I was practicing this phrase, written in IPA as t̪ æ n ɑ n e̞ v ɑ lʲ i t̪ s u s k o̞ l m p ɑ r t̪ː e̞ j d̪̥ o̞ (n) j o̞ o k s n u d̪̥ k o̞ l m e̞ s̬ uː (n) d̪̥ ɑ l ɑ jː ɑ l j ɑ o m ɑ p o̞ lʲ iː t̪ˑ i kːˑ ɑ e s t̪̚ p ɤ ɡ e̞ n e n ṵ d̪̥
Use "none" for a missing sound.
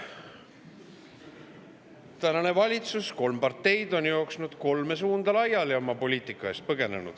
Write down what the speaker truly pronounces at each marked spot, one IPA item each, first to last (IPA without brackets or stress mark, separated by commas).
n, n